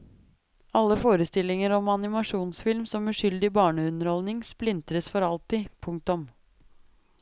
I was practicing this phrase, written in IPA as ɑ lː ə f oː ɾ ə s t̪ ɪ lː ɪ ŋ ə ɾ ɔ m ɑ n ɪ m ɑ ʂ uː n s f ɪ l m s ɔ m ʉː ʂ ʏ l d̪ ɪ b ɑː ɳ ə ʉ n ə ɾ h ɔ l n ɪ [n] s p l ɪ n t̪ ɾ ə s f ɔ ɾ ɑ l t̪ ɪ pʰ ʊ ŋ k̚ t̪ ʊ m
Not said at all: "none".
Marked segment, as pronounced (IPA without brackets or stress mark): ŋ